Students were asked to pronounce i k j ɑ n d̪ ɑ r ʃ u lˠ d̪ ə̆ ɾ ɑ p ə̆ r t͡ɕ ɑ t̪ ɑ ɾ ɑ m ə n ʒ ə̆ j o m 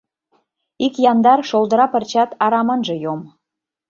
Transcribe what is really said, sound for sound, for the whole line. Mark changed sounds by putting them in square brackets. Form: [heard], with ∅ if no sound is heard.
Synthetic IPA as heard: i k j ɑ n d̪ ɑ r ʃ [o] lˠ d̪ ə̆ ɾ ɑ p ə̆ r t͡ɕ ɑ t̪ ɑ ɾ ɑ m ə n ʒ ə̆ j o m